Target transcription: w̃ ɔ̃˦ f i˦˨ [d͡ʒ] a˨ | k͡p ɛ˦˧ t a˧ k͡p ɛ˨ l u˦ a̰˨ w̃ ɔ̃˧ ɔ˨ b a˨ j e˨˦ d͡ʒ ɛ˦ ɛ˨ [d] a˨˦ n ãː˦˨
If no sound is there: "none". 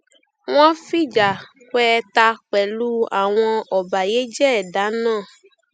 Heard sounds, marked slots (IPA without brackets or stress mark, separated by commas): d͡ʒ, d